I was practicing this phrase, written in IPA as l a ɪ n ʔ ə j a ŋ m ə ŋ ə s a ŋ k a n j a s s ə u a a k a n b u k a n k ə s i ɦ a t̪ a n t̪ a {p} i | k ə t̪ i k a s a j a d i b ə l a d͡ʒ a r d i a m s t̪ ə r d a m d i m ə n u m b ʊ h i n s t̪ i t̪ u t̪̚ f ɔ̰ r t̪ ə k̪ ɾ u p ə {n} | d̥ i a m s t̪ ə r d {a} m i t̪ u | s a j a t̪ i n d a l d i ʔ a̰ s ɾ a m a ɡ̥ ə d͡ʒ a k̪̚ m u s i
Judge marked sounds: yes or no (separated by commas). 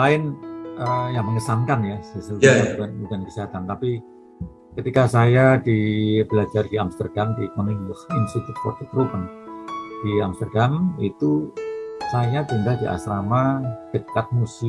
yes, yes, yes